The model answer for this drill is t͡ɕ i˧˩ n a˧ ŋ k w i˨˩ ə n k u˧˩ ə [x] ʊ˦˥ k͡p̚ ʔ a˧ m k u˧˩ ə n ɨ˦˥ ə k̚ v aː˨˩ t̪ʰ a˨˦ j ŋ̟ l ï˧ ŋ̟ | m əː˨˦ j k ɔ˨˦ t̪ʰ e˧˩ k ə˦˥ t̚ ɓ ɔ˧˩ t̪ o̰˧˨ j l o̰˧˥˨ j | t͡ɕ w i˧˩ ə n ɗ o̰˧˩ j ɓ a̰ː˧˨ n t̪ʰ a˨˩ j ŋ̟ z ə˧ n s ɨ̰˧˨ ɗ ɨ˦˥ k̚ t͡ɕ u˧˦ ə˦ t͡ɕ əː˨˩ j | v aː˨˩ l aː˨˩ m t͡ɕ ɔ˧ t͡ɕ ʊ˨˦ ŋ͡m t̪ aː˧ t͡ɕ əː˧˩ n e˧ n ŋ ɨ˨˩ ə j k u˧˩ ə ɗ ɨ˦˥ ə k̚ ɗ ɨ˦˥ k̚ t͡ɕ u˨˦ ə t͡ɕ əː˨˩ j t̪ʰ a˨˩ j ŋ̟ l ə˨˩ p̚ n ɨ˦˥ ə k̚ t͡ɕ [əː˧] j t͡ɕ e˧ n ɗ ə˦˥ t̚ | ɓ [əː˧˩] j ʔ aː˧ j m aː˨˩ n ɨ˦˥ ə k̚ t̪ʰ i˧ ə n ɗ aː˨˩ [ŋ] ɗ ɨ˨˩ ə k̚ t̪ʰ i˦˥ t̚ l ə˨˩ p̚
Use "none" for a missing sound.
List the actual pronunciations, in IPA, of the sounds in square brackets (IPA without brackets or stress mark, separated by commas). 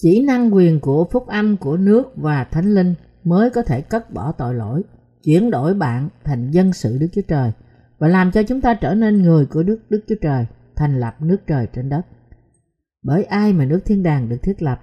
f, əː˨˩, əː˧˩, ŋ